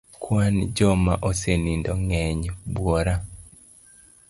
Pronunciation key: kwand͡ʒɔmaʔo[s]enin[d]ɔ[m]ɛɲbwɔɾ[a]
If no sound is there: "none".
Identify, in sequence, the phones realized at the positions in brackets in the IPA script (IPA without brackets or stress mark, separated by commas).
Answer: s, d, ŋ, a